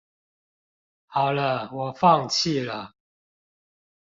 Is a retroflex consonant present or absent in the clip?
absent